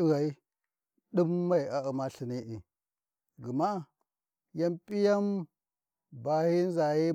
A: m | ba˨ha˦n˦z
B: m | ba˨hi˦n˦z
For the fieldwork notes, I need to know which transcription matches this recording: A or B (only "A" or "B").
B